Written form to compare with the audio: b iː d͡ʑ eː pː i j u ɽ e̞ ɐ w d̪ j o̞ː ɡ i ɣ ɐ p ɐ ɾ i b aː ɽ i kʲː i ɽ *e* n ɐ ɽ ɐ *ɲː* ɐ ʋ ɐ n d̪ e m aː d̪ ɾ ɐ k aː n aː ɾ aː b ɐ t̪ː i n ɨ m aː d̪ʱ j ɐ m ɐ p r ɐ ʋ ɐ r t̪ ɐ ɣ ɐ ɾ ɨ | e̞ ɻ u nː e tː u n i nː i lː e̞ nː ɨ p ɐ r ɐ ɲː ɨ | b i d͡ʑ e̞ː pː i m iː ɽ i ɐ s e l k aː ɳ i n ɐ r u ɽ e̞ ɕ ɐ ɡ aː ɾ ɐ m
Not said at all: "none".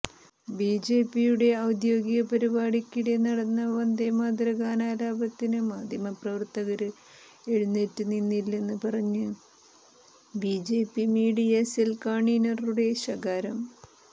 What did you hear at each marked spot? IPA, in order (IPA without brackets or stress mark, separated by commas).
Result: e, nː